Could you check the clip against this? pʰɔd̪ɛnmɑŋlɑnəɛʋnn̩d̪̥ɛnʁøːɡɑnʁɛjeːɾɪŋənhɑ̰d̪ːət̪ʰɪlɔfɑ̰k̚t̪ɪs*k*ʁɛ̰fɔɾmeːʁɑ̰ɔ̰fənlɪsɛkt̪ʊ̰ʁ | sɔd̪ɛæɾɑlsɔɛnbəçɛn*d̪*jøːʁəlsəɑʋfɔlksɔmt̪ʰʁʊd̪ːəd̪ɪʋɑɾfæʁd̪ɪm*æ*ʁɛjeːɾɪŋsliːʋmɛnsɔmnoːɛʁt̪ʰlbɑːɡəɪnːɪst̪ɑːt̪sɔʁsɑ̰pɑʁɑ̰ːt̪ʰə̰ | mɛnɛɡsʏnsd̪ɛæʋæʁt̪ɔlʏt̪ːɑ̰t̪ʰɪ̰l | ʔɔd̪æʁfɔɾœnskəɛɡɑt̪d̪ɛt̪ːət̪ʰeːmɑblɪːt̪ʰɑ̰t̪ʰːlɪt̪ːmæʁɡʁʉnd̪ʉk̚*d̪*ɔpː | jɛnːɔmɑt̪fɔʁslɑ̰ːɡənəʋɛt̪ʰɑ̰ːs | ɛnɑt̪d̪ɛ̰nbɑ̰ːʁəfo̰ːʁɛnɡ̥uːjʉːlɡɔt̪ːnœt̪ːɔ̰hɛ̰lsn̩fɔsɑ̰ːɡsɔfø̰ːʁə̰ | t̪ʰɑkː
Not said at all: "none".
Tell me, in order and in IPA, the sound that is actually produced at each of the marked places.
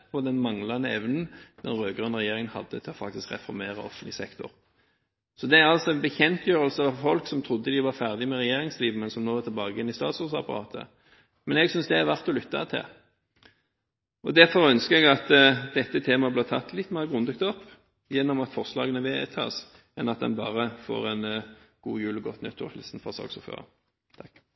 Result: k, t̪, ɛ, t̪

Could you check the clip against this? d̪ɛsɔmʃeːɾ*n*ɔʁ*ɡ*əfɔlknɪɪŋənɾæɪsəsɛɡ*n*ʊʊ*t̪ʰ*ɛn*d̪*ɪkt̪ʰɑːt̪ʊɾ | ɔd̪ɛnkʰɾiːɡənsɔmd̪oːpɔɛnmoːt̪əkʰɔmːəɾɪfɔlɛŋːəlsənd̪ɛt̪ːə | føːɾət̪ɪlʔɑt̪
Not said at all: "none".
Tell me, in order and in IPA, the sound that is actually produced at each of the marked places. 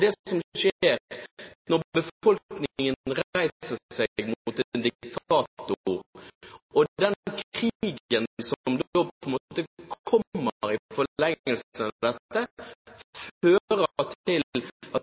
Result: n, b, m, t̪, d̪

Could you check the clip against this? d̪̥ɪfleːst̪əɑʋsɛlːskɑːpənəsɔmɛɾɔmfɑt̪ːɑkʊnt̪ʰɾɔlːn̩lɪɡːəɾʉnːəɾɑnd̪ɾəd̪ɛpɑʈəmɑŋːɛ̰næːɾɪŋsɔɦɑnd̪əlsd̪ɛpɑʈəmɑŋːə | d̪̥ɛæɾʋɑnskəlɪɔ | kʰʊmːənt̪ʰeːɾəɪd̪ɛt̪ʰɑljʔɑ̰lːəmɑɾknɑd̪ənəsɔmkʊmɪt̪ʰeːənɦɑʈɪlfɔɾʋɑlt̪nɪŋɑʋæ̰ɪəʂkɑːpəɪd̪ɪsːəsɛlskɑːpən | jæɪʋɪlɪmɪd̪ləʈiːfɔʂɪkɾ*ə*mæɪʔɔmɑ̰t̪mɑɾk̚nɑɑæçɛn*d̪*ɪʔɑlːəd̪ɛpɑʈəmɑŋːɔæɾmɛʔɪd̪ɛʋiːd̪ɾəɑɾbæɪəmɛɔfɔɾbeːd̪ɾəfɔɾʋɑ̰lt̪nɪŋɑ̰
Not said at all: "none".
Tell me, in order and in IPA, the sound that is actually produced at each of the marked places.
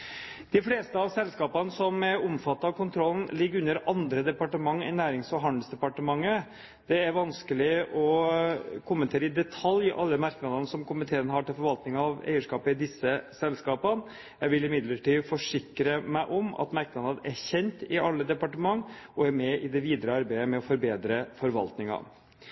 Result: ə, t̪

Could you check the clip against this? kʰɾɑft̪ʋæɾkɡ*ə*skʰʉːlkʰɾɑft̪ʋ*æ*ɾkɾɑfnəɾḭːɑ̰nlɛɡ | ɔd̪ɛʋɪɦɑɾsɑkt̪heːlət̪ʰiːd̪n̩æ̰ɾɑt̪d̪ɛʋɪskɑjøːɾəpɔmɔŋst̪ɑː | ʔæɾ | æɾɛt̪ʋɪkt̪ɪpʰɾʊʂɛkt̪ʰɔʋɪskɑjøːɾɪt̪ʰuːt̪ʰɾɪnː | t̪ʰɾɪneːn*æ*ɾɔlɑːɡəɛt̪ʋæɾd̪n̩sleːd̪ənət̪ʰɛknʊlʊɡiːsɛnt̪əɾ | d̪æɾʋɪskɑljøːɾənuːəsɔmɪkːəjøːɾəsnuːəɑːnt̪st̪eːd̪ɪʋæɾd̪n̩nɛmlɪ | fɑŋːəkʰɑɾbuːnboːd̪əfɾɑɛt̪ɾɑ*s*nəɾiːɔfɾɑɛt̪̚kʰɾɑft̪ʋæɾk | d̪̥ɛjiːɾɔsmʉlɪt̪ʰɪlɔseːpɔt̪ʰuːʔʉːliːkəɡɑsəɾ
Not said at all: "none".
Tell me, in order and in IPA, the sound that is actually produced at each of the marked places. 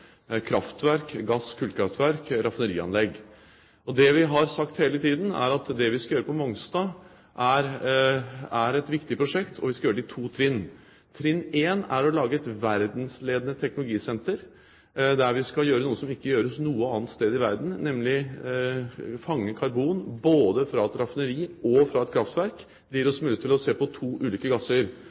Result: ɑ, æ, æ, f

